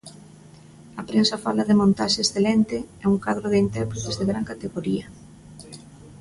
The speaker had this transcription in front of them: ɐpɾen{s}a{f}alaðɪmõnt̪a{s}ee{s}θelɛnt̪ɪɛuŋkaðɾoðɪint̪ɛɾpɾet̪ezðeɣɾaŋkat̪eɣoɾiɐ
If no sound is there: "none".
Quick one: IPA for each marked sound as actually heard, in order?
s, f, ʃ, s

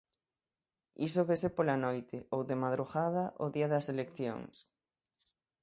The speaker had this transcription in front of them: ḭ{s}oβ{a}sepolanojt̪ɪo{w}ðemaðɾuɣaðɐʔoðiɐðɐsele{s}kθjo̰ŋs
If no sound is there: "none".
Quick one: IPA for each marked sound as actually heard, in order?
s, e, w, none

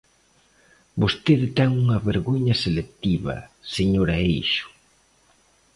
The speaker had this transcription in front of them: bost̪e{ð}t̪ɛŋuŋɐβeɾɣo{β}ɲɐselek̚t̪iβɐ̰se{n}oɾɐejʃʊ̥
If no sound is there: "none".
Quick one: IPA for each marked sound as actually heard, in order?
ð, none, ɲ

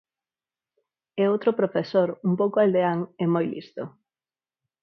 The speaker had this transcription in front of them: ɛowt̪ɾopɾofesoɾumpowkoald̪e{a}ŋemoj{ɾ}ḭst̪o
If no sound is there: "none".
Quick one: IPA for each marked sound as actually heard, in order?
a, l

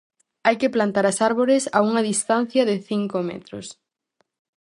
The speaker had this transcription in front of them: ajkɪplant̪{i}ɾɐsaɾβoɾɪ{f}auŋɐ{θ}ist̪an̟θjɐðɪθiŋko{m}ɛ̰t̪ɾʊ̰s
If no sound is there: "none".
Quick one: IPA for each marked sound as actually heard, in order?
a, s, ð, m

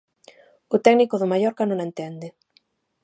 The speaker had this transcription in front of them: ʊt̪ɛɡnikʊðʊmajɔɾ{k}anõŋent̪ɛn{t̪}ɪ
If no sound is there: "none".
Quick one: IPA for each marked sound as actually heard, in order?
k, d̪

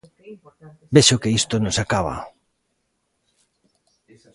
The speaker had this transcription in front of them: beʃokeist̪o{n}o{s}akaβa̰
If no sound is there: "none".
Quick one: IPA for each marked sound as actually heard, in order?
n, s

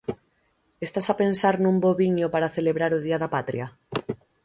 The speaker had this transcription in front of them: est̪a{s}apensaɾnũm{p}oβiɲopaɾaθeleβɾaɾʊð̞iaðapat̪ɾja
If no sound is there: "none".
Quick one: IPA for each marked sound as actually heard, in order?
s, b

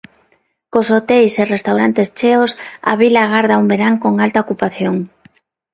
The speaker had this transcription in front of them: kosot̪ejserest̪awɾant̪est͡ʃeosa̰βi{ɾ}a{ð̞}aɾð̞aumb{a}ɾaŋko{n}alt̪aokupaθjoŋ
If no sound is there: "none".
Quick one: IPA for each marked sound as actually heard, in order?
l, ɣ̞, e, ŋ

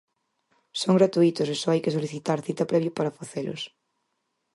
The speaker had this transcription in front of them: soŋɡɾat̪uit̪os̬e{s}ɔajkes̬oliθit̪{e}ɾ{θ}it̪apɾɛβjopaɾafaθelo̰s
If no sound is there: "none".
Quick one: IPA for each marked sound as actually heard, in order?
s, a, θ

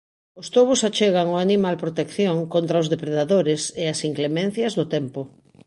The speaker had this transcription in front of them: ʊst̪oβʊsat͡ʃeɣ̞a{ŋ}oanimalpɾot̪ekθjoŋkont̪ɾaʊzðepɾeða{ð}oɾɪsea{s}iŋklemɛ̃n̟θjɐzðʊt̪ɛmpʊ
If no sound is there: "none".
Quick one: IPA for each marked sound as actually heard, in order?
ŋ, ð, s

